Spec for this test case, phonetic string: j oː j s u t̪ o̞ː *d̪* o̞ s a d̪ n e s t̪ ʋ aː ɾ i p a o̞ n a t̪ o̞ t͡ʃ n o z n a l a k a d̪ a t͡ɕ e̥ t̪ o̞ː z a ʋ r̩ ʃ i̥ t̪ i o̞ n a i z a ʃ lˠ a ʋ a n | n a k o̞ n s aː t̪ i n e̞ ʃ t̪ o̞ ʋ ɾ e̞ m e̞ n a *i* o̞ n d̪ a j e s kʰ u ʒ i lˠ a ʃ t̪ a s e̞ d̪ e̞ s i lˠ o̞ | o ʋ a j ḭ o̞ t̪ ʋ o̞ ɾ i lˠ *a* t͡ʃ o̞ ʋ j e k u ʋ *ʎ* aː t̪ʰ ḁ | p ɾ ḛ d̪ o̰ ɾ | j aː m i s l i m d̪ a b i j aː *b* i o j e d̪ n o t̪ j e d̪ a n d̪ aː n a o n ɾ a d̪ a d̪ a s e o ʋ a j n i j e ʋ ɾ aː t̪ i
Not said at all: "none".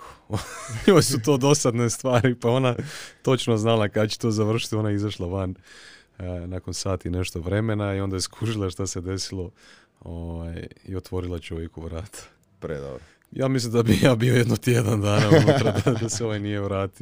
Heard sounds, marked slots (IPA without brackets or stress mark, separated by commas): d̪, i, a, ɾ, b